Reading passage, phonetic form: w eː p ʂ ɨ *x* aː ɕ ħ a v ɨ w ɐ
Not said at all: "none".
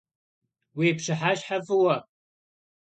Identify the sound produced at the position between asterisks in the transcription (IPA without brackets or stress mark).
ħ